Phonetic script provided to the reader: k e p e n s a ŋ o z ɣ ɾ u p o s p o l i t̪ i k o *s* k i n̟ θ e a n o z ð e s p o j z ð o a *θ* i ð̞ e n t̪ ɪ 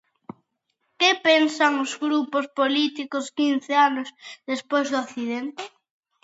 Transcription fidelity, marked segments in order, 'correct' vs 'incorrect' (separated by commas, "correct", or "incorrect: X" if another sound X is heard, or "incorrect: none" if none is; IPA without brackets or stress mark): correct, correct